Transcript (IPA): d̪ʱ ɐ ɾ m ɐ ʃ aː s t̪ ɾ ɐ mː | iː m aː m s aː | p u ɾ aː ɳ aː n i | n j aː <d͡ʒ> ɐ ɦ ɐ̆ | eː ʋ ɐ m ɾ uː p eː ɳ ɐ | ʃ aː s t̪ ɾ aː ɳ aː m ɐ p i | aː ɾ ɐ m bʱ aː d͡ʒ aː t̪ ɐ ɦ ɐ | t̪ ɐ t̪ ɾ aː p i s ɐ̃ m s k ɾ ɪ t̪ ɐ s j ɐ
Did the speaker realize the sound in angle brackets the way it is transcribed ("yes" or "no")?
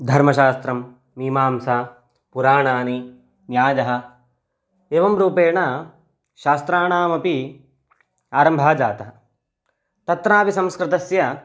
yes